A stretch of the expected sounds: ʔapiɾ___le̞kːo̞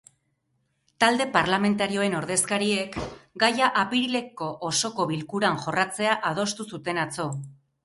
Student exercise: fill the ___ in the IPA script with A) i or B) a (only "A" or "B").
A